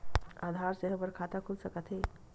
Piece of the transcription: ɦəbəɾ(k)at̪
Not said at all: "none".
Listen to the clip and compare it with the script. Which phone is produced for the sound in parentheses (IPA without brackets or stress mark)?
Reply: kʰ